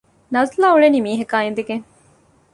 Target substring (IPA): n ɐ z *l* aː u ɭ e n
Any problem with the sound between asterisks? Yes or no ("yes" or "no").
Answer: no